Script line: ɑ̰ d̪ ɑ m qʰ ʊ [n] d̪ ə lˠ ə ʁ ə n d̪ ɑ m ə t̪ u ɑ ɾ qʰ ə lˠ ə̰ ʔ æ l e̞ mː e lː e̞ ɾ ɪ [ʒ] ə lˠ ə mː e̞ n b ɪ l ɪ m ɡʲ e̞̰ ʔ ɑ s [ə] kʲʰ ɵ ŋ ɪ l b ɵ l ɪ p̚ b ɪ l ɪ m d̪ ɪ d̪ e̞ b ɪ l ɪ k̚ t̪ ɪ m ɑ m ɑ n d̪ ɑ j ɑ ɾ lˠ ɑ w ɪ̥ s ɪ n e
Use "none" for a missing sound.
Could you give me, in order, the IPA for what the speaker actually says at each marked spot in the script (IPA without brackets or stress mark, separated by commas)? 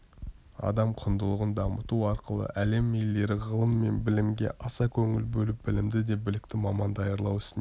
n, ʁ, ɑ